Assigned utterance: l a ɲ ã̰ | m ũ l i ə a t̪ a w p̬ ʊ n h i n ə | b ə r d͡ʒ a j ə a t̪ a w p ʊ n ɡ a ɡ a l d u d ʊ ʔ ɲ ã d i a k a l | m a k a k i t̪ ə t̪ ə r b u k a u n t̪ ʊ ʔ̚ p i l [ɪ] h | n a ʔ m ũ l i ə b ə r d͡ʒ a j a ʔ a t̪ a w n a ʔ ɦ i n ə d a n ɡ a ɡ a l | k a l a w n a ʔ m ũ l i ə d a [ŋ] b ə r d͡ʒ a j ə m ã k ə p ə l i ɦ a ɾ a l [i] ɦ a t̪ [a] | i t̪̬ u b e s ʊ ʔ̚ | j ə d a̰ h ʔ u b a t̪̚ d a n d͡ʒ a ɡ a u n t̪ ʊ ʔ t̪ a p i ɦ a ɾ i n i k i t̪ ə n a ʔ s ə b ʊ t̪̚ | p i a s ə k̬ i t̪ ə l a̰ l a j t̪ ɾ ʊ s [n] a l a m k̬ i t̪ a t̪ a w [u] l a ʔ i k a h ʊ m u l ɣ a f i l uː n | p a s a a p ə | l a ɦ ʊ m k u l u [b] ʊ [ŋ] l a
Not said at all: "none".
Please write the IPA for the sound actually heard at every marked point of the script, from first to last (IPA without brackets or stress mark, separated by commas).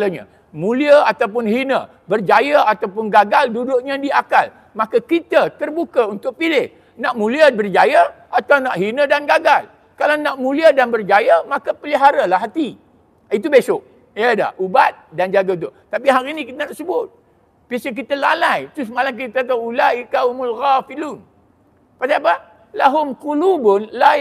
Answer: ɪ, n, a, i, m, u, b, n